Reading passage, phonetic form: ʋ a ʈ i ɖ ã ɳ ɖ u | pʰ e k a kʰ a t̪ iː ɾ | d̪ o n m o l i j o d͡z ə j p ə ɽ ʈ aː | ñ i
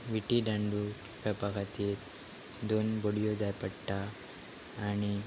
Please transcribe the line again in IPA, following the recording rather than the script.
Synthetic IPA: ʋ i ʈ i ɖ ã ɳ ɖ u | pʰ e p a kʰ a t̪ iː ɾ | d̪ o n b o ɽ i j o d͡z a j p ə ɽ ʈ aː | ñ i